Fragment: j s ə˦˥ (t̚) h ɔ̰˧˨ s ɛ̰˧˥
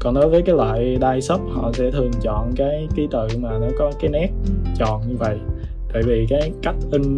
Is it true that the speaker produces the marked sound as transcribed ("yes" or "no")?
no